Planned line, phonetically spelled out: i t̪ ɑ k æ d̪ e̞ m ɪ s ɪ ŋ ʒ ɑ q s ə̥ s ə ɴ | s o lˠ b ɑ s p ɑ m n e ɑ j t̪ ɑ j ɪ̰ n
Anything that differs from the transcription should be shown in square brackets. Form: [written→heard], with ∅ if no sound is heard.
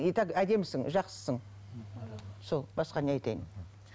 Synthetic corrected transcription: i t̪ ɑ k æ d̪ e̞ m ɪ s ɪ ŋ ʒ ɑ q s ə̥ s ə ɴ | s o lˠ b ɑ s [p→q] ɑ [m→∅] n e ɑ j t̪ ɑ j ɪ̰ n